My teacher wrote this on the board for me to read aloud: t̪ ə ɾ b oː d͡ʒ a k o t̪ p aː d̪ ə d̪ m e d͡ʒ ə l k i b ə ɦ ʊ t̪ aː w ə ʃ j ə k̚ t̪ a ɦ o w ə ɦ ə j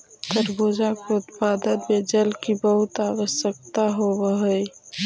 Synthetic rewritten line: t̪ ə ɾ b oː d͡ʒ a k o t̪ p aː d̪ ə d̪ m e d͡ʒ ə l k i b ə ɦ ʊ t̪ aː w ə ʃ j ə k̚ t̪ a ɦ o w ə ɦ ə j

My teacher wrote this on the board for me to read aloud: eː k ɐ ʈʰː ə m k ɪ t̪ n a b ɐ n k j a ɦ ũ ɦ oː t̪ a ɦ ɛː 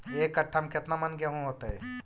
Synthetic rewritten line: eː k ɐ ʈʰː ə m k ɪ t̪ n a m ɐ n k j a ɦ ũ ɦ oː t̪ a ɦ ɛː

